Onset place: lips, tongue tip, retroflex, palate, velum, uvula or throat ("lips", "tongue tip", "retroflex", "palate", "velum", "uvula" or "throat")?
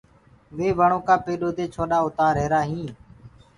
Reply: lips